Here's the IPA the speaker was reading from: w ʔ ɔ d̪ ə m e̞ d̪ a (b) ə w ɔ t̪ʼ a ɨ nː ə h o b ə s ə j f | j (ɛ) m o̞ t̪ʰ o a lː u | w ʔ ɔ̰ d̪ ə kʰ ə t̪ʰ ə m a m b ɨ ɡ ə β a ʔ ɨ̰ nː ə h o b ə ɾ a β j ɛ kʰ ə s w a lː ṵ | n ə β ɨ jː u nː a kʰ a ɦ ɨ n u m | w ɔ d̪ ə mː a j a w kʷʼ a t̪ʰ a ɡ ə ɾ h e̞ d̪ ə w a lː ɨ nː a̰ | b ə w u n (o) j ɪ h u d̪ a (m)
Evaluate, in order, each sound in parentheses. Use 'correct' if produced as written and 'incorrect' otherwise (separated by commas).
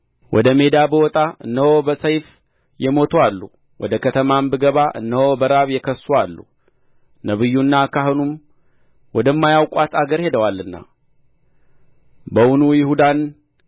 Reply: correct, correct, incorrect, incorrect